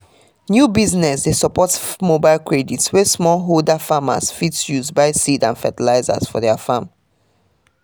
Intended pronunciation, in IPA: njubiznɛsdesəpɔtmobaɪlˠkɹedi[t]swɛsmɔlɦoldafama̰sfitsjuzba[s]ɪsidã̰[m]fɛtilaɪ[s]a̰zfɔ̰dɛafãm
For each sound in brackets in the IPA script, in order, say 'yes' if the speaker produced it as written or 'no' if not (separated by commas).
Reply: yes, no, no, no